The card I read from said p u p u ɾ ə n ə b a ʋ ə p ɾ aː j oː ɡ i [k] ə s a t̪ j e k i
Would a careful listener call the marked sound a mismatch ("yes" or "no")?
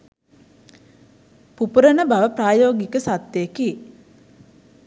no